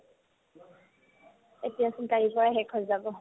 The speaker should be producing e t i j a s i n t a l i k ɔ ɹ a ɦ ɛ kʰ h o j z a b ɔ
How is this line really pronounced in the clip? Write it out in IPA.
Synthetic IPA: e t i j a s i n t a ɹ i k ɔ ɹ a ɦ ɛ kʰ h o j z a b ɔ